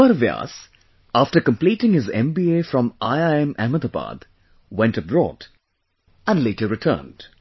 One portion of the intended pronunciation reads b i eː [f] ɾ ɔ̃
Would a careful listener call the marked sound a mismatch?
no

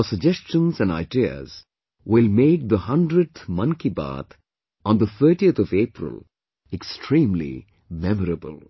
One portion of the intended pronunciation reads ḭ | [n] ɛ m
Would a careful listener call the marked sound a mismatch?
yes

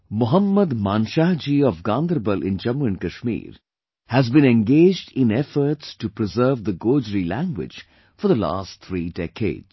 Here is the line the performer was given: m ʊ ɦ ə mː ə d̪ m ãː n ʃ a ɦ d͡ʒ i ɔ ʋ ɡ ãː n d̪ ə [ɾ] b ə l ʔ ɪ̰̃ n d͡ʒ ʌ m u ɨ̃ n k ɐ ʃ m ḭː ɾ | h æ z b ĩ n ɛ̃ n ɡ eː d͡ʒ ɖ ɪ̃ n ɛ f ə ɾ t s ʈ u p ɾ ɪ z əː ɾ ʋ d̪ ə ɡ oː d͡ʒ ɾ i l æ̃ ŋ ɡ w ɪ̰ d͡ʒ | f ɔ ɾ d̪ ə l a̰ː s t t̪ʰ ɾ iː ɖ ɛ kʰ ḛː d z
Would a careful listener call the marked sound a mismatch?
no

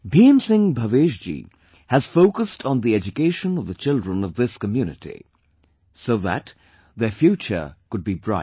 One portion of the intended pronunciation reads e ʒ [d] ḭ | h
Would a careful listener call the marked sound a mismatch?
yes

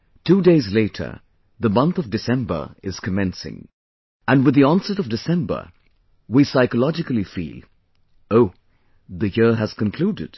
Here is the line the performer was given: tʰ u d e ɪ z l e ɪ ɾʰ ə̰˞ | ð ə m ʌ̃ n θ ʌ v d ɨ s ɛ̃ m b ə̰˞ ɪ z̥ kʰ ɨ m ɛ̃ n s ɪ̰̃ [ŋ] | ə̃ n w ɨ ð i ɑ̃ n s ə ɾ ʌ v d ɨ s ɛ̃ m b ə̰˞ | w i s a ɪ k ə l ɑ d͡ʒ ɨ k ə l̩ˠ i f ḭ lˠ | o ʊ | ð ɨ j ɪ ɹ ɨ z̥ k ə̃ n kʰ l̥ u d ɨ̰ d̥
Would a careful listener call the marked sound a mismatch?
no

